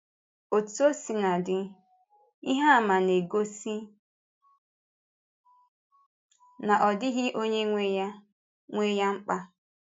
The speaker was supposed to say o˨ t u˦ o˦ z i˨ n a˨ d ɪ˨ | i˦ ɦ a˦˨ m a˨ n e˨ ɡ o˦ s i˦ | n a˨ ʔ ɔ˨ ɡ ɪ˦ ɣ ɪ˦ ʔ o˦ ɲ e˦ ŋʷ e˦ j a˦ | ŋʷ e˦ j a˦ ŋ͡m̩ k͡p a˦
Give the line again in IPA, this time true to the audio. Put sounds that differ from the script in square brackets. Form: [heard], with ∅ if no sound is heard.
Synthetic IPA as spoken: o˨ t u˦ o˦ [s] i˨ n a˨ d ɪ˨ | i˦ ɦ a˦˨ m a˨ n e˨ ɡ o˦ s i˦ | n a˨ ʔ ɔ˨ [d] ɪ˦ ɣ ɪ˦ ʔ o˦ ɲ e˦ ŋʷ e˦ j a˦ | ŋʷ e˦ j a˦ ŋ͡m̩ k͡p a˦